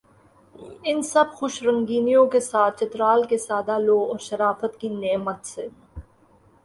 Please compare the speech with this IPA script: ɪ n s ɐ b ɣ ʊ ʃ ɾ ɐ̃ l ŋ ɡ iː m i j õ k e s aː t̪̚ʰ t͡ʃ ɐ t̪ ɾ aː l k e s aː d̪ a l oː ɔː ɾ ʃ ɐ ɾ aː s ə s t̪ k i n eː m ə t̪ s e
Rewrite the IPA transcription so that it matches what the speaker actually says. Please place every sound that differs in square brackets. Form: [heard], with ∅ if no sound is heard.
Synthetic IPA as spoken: ɪ n s ɐ b [x] ʊ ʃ ɾ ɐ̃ [∅] ŋ ɡ iː [n] i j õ k e s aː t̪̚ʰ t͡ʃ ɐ t̪ ɾ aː l k e s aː d̪ a l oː ɔː ɾ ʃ ɐ ɾ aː [f] ə [∅] t̪ k i n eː m ə t̪ s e